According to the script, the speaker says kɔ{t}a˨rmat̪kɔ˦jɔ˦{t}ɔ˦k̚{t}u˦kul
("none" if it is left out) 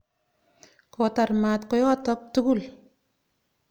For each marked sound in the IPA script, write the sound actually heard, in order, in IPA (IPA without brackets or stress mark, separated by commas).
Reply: t, t, t